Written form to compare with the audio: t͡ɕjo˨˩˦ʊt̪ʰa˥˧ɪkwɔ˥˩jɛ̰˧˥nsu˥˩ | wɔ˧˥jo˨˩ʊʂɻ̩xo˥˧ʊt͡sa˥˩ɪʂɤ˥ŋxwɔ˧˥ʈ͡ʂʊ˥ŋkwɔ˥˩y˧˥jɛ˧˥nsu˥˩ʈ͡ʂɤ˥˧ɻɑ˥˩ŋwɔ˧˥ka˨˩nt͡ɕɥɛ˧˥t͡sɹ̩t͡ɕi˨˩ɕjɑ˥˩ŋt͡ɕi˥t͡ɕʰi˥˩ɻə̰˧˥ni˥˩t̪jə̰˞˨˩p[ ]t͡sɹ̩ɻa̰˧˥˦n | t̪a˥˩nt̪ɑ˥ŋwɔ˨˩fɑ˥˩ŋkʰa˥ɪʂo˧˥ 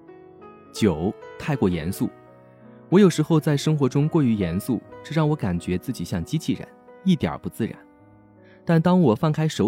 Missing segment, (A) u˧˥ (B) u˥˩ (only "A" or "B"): A